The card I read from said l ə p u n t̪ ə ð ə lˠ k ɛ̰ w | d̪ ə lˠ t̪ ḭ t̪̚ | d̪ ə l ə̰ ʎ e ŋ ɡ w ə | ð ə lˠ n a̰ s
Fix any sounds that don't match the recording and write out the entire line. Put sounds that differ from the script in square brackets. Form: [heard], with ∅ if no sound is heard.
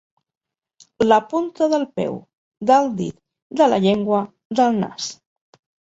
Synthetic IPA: l ə p u n t̪ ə ð ə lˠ [p] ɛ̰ w | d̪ ə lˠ [d̪] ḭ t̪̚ | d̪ ə l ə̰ ʎ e ŋ ɡ w ə | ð ə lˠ n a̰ s